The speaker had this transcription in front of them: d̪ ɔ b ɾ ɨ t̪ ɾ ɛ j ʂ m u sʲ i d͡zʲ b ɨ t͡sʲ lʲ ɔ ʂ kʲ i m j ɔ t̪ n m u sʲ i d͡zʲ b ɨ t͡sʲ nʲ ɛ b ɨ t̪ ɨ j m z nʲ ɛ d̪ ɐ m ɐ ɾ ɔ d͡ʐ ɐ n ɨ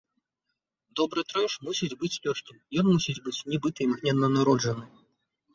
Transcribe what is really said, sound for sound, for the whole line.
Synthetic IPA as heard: d̪ ɔ b ɾ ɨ t̪ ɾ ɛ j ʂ m u sʲ i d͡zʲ b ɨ t͡sʲ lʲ ɔ ʂ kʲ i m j ɔ n m u sʲ i d͡zʲ b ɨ t͡sʲ nʲ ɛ b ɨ t̪ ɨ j m ɣ nʲ ɛ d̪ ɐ n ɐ ɾ ɔ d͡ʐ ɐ n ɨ